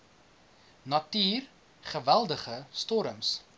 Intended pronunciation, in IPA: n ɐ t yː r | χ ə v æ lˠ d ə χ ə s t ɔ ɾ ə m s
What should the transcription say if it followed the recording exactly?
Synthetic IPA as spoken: n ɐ t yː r | χ ə v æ lˠ d ə χ ə s t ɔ ɾ ə m s